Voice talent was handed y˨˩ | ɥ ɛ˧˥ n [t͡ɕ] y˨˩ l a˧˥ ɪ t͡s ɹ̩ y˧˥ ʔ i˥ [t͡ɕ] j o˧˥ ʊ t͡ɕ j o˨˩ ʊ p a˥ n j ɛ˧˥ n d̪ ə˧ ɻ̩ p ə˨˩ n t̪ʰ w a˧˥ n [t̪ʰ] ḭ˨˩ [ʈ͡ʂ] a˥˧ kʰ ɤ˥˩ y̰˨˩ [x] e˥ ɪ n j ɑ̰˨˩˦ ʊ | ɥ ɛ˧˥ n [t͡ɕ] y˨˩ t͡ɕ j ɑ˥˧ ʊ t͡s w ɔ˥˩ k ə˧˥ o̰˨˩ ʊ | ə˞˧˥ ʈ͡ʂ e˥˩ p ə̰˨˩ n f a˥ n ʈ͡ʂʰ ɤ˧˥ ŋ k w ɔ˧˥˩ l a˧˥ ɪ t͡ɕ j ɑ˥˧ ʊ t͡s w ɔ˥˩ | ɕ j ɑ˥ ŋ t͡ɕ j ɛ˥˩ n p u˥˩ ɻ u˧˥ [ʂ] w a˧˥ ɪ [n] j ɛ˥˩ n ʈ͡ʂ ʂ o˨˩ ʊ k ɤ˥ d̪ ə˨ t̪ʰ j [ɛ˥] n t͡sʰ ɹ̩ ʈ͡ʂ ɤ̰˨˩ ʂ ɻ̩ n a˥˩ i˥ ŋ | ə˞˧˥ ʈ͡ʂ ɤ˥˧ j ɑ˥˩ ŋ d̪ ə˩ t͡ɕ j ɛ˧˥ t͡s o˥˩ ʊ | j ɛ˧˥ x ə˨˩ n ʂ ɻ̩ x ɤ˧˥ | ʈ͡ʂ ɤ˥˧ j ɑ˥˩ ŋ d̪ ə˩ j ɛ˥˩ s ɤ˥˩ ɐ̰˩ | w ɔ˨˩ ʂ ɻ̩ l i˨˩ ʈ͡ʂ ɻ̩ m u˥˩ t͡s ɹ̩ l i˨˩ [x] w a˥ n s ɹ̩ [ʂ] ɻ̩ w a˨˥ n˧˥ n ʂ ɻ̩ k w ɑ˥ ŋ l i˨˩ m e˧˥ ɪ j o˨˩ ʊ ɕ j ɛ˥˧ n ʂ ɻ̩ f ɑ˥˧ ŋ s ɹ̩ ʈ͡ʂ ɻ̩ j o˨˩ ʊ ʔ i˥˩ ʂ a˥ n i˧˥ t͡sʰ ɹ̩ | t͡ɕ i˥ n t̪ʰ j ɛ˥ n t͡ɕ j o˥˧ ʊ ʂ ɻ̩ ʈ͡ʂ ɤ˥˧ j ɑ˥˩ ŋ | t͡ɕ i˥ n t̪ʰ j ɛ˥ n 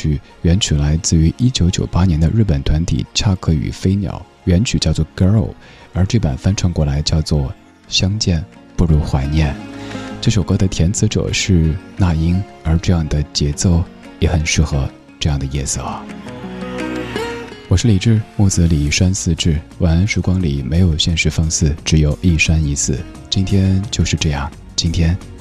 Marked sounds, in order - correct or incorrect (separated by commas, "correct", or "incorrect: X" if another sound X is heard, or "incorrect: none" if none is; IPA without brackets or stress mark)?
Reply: incorrect: t͡ɕʰ, correct, correct, incorrect: ʈ͡ʂʰ, incorrect: f, incorrect: t͡ɕʰ, incorrect: x, correct, incorrect: ɛ˧˥, incorrect: ʂ, incorrect: ʈ͡ʂ